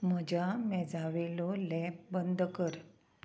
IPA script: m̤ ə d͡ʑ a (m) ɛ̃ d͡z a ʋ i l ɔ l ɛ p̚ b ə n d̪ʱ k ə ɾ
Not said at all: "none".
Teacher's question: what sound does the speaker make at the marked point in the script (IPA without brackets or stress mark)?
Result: m